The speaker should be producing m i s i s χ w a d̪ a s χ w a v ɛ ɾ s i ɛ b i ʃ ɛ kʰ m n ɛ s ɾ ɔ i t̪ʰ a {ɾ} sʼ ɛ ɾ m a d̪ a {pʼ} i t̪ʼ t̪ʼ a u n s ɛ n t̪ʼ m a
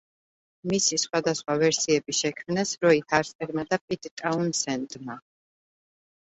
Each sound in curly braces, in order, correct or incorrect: correct, correct

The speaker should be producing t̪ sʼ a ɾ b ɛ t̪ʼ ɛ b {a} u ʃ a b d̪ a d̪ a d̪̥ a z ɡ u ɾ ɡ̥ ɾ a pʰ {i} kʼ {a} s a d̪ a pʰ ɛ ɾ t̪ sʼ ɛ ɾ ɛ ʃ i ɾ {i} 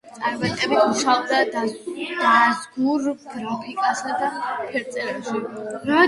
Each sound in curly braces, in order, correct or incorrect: incorrect, correct, correct, incorrect

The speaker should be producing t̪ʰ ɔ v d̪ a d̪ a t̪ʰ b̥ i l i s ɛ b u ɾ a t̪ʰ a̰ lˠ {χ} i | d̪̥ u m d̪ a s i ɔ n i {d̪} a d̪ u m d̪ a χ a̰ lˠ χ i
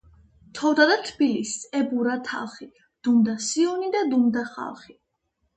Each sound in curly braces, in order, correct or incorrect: correct, correct

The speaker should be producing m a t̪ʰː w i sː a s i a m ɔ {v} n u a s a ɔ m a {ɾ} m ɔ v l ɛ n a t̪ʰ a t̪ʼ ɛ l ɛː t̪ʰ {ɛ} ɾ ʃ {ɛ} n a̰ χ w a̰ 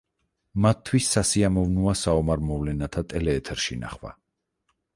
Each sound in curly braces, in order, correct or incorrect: correct, correct, correct, incorrect

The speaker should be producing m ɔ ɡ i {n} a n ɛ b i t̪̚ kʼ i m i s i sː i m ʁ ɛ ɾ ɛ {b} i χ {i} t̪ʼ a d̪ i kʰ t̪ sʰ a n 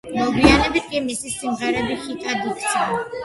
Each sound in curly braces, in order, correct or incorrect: incorrect, correct, correct

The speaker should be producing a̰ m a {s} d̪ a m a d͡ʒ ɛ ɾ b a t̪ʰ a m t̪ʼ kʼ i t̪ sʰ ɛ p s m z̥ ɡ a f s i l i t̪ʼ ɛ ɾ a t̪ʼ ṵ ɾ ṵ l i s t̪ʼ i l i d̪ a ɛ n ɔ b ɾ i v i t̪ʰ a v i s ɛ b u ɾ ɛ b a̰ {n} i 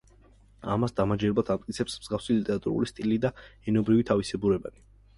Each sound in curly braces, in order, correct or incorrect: correct, correct

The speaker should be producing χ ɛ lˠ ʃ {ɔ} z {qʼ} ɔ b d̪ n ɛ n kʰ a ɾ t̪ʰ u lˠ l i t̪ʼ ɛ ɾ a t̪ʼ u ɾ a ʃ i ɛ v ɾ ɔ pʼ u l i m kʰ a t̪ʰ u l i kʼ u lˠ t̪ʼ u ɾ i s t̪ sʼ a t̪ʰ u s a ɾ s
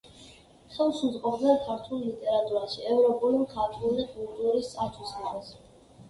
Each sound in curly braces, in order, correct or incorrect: incorrect, correct

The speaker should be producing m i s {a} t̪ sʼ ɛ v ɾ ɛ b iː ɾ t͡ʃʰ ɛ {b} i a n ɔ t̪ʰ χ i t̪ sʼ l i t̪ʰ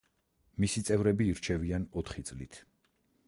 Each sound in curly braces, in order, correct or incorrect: incorrect, incorrect

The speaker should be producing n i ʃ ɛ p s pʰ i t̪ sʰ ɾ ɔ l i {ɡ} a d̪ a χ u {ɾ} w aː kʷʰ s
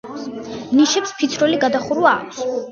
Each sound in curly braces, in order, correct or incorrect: correct, correct

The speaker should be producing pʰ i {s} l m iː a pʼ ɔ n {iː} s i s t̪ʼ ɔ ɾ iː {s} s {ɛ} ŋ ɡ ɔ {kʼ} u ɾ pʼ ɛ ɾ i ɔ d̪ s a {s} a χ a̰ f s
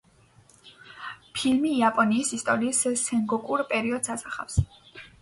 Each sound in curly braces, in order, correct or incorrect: incorrect, correct, correct, correct, correct, correct

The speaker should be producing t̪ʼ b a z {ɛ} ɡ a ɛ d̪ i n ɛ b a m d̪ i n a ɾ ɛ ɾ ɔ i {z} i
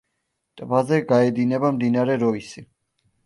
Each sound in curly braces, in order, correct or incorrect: correct, incorrect

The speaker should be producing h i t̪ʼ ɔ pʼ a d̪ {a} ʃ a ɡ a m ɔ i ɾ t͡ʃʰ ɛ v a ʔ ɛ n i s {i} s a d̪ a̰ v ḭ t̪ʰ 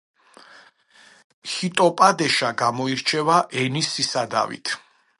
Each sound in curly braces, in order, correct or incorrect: incorrect, correct

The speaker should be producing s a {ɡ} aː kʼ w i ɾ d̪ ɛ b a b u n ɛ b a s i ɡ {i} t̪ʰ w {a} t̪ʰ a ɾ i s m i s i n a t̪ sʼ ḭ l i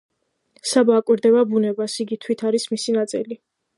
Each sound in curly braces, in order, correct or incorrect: incorrect, correct, incorrect

